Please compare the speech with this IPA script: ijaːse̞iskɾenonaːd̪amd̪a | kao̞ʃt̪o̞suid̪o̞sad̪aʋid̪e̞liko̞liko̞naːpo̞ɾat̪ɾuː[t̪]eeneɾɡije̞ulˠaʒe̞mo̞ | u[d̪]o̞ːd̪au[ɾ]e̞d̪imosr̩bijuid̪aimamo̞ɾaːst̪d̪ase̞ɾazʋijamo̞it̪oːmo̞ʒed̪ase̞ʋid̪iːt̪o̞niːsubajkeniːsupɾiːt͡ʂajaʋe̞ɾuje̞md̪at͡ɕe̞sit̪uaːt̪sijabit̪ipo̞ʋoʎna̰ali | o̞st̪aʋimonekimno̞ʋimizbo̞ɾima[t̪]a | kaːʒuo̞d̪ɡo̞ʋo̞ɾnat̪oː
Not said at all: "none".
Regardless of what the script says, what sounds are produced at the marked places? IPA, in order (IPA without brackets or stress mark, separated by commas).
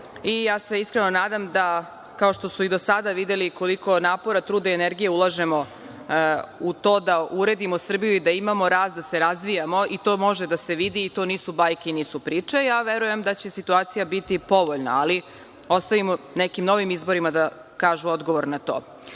d̪, t̪, ɾ, d̪